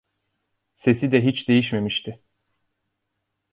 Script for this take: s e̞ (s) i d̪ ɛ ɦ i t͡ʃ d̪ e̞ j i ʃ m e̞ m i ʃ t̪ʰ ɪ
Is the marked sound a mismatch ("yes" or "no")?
no